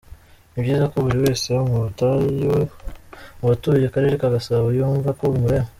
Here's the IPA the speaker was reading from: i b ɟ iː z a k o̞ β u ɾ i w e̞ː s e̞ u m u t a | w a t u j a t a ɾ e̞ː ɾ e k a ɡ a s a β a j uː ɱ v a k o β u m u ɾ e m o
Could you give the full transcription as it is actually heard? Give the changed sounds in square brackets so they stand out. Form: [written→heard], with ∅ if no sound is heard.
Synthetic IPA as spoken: i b ɟ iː z a k o̞ β u ɾ i w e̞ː s e̞ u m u t a | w a t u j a [t→k] a ɾ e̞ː ɾ e k a ɡ a s a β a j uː ɱ v a k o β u m u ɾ e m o